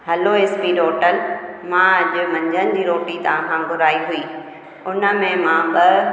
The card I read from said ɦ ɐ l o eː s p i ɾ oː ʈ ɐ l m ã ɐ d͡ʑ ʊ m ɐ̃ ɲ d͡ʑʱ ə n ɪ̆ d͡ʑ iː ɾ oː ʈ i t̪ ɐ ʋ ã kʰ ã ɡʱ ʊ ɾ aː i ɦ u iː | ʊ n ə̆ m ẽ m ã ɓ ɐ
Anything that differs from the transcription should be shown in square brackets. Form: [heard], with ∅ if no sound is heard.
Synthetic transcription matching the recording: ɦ ɐ l o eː s p i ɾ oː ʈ [ə] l m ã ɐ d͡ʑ ʊ m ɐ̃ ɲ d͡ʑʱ ə n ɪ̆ d͡ʑ iː ɾ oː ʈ i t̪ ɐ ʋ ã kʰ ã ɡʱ ʊ ɾ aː i ɦ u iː | ʊ n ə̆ m ẽ m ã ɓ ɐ